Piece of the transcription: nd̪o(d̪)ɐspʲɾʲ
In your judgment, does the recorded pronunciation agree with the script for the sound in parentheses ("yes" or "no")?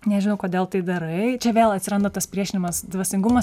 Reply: no